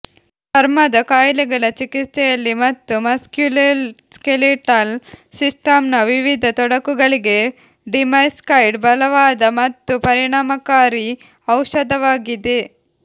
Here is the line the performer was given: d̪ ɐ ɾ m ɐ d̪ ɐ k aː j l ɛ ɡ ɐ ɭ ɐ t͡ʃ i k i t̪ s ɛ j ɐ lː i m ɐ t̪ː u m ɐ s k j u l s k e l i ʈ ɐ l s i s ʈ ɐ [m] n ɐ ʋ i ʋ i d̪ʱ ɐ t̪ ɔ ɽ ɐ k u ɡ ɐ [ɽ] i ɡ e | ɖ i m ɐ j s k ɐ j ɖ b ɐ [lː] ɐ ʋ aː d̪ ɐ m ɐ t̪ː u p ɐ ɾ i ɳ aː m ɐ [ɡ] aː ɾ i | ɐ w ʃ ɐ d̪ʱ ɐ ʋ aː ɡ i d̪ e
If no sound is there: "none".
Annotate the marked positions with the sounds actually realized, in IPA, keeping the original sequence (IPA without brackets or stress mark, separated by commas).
m, ɭ, l, k